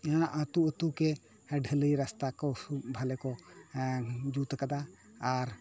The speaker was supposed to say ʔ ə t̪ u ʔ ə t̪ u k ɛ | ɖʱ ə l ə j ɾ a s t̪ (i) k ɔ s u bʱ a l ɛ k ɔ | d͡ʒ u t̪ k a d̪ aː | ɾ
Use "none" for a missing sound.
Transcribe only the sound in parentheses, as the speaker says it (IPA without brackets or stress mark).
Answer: a